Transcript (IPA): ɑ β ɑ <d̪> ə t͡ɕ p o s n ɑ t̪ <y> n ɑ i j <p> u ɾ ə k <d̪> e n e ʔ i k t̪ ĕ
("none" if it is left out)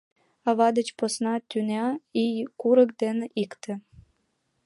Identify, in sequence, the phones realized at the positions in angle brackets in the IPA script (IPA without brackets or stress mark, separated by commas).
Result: d̪, y, k, d̪